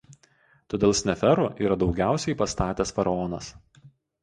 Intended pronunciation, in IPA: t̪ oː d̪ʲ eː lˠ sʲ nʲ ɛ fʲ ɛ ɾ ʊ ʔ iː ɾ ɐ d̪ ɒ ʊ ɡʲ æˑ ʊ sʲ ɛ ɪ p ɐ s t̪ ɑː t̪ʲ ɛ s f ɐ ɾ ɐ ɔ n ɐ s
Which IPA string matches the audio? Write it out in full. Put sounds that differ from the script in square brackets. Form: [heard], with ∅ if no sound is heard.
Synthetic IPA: t̪ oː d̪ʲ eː lˠ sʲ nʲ ɛ fʲ ɛ ɾ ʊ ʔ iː ɾ ɐ d̪ ɒ ʊ ɡʲ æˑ ʊ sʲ ɛ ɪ p ɐ s t̪ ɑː t̪ʲ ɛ s f ɐ ɾ ɐ ɔ n ɐ s

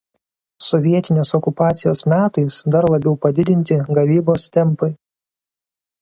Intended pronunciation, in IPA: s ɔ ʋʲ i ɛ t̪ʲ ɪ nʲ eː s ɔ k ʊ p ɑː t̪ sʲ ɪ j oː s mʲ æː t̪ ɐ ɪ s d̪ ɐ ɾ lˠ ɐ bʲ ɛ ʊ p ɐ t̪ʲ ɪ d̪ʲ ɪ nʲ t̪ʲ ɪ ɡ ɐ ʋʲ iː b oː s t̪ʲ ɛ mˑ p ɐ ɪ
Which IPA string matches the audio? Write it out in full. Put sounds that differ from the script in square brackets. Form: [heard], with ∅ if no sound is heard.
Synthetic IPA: s ɔ ʋʲ i ɛ t̪ʲ ɪ nʲ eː s ɔ k ʊ p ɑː t̪ sʲ ɪ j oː s mʲ æː t̪ ɐ ɪ s d̪ ɐ ɾ lˠ ɐ bʲ ɛ ʊ p ɐ [d̪ʲ] ɪ d̪ʲ ɪ nʲ t̪ʲ ɪ ɡ ɐ ʋʲ iː b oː s t̪ʲ ɛ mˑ p ɐ ɪ

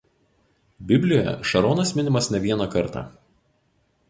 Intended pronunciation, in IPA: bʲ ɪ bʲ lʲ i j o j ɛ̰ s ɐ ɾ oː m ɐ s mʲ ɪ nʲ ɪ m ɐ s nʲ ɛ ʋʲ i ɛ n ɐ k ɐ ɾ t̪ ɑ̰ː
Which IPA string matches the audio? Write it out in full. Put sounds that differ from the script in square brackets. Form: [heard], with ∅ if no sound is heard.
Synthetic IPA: bʲ ɪ bʲ lʲ [ɪ] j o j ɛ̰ [ʃ] ɐ ɾ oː [n] ɐ s mʲ ɪ nʲ ɪ m ɐ s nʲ ɛ ʋʲ i ɛ n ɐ k ɐ ɾ t̪ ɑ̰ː

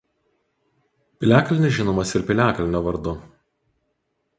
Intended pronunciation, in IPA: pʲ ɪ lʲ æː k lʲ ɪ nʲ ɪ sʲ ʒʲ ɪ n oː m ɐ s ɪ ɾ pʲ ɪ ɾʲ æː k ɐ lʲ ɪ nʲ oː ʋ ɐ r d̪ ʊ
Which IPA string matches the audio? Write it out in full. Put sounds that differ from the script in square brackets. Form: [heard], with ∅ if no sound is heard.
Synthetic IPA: pʲ ɪ lʲ æː k lʲ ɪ nʲ ɪ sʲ ʒʲ ɪ n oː m ɐ s ɪ ɾ pʲ ɪ [lʲ] æː k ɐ lʲ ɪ nʲ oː ʋ ɐ [ɾ] d̪ ʊ

